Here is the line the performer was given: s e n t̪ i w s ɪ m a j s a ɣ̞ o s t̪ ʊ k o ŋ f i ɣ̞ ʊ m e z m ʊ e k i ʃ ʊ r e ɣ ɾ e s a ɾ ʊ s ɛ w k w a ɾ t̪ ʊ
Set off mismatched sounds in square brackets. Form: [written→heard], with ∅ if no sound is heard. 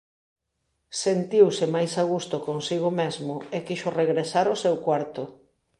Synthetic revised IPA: s e n t̪ i w s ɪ m a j s a ɣ̞ [o→u] s t̪ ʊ k o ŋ [f→s] i ɣ̞ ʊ m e z m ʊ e k i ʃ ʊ r e ɣ ɾ e s a ɾ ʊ s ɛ w k w a ɾ t̪ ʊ